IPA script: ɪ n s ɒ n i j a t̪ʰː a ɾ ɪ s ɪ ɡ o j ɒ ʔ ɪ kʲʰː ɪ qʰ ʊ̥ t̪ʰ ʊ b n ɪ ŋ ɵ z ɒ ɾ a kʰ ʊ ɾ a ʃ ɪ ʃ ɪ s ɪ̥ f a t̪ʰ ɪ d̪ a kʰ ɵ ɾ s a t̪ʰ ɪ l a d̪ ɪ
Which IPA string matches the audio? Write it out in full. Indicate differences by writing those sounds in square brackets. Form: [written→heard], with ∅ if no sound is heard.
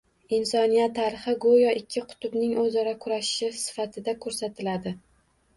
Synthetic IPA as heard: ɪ n s ɒ n i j a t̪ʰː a ɾ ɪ [s→χ] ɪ ɡ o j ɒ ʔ ɪ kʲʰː ɪ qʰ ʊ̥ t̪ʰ ʊ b n ɪ ŋ ɵ z ɒ ɾ a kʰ ʊ ɾ a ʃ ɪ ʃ ɪ s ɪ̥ f a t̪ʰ ɪ d̪ a kʰ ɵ ɾ s a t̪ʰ ɪ l a d̪ ɪ